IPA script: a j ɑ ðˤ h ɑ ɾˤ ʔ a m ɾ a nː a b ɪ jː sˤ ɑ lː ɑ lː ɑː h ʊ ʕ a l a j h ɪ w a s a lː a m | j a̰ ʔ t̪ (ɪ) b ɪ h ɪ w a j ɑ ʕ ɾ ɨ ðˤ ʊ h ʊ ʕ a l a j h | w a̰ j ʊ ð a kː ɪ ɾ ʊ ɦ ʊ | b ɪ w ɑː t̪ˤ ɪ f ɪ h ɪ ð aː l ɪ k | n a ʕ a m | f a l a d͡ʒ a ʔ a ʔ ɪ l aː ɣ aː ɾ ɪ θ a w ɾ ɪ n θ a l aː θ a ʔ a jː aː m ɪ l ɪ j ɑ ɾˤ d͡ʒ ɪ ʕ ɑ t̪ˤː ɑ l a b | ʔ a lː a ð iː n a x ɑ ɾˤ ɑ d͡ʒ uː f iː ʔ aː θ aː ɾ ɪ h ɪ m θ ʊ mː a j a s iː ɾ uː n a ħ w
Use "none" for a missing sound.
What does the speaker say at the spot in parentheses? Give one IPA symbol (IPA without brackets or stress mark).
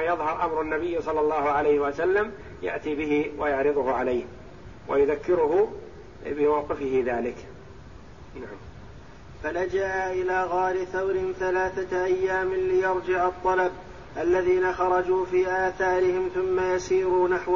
i